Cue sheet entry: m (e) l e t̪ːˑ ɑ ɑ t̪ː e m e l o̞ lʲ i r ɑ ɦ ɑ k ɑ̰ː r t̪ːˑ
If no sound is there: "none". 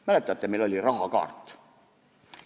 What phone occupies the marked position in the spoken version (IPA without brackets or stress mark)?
æ